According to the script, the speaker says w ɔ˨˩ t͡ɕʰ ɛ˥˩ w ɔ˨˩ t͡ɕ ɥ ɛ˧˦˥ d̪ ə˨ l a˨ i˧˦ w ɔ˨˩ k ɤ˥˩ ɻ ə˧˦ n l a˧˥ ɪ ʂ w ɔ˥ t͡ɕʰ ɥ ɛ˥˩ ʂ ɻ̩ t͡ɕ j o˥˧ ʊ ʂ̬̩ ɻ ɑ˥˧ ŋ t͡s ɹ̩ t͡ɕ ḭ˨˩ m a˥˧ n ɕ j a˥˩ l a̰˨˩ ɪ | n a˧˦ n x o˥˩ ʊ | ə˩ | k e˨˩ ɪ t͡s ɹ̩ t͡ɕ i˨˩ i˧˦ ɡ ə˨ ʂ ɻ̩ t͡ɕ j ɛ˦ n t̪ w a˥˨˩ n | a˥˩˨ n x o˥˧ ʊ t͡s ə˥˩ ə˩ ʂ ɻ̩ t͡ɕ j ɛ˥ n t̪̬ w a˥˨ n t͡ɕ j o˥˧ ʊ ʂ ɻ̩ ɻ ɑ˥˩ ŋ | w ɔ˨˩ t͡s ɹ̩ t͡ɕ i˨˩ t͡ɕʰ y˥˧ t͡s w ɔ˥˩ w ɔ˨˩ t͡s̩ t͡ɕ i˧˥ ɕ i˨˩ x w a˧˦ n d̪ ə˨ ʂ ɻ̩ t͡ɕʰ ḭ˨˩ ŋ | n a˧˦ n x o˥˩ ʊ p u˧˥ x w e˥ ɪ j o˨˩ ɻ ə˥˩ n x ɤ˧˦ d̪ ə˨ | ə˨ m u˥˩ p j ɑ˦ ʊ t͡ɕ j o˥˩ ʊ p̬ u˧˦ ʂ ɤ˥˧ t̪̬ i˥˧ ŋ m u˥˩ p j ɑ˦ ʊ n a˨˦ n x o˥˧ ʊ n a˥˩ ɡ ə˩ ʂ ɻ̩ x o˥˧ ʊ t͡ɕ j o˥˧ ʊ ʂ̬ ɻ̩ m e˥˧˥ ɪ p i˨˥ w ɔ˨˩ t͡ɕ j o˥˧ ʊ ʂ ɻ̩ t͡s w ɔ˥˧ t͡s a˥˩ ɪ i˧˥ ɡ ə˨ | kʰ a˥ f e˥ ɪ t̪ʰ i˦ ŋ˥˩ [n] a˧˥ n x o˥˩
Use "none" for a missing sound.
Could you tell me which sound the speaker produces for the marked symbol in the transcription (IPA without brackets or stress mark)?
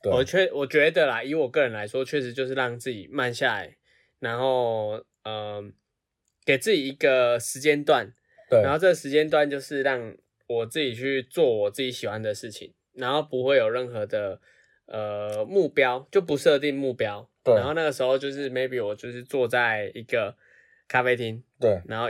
n